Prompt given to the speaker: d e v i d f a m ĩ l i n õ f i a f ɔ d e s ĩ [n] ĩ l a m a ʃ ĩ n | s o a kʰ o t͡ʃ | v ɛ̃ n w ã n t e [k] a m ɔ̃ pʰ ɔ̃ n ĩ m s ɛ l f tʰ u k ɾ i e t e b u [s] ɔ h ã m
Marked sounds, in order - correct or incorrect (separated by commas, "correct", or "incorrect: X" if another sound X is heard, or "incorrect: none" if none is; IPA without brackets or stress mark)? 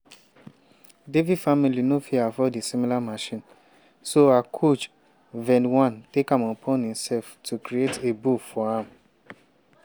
incorrect: m, correct, incorrect: f